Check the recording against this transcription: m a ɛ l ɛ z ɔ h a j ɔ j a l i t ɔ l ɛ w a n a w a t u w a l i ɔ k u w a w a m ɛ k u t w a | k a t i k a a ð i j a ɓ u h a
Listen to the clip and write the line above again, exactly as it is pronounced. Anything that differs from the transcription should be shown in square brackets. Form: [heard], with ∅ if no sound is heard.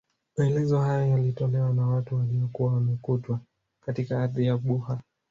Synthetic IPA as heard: m a ɛ l ɛ z ɔ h a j ɔ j a l i t ɔ l ɛ w a n a w a t u w a l i ɔ k u w a w a m ɛ k u t w a | k a t i k a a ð i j a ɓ u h a